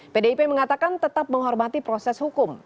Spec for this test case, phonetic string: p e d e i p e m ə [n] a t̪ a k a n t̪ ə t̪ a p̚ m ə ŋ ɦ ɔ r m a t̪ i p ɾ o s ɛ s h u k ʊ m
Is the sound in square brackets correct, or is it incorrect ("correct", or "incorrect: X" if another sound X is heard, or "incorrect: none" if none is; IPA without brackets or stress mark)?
incorrect: ŋ